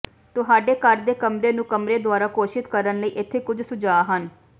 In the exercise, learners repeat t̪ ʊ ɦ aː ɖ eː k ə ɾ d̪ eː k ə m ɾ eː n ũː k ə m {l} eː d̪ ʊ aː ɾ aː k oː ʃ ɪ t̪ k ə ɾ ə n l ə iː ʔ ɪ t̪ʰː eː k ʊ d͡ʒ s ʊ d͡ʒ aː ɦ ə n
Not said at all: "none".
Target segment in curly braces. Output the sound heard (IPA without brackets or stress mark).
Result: ɾ